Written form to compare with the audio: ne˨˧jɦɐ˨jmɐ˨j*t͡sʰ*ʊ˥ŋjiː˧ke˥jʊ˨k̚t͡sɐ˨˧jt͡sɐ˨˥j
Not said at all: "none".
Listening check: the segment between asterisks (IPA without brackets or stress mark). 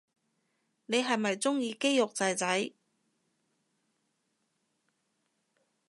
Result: t͡s